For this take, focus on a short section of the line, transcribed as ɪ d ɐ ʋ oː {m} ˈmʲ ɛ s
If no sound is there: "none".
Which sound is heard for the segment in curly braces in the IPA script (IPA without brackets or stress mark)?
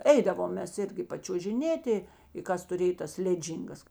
m